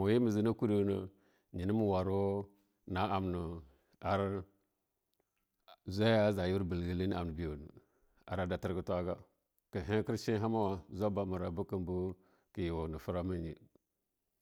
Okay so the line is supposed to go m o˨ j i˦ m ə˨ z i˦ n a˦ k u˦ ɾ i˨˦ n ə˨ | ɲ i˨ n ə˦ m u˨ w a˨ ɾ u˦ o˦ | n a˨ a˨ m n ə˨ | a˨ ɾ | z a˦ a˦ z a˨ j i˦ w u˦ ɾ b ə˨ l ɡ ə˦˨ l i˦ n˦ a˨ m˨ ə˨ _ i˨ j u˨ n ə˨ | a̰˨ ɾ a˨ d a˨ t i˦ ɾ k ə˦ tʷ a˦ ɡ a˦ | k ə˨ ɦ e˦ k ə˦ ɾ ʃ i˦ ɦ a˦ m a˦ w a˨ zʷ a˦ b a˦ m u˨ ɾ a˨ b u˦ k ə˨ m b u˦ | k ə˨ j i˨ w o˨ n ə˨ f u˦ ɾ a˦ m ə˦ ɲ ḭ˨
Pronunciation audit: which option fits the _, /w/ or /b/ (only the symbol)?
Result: b